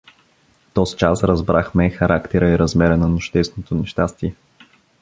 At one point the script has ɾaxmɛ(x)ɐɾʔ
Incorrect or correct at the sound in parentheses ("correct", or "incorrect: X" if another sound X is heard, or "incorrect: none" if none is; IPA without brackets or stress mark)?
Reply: correct